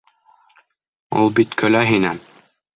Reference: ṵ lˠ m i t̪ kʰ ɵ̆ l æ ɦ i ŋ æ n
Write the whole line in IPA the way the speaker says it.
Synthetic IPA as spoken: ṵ lˠ b i t̪ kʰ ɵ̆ l æ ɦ i n æ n